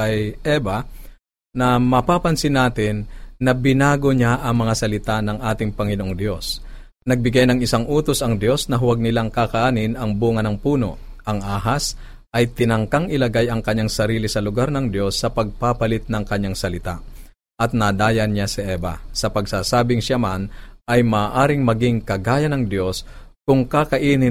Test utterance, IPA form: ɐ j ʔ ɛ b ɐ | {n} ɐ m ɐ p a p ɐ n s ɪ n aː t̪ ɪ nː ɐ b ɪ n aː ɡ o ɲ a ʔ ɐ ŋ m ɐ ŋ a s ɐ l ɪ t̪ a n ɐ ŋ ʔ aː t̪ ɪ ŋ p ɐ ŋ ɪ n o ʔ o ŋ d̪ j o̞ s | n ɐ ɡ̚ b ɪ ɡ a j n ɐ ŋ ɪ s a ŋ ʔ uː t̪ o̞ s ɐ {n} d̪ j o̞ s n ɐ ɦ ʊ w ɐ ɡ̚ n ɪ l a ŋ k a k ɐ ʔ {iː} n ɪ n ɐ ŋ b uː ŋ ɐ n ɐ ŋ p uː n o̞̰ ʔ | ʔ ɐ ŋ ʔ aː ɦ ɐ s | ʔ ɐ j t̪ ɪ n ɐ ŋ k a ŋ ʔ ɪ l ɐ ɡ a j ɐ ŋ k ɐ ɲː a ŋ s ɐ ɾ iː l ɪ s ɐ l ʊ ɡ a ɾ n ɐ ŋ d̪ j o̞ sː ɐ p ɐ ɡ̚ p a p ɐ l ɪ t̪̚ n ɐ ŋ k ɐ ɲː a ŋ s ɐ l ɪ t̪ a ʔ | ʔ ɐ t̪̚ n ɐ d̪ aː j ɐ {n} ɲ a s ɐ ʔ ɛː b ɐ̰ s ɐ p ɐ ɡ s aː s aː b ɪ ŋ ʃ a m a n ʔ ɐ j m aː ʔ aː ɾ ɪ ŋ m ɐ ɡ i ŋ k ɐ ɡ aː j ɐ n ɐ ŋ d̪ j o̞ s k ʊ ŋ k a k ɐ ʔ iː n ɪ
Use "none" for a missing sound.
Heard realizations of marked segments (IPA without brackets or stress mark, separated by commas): n, ŋ, aː, n